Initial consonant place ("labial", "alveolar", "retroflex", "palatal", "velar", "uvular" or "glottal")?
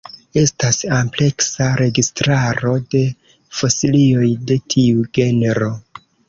alveolar